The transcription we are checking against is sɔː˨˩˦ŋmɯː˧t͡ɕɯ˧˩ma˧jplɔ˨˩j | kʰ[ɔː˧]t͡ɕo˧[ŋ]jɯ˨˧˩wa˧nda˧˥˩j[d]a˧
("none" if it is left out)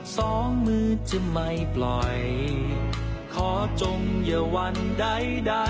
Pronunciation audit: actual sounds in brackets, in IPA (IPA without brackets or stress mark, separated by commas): ɔː˩˦, ŋ, d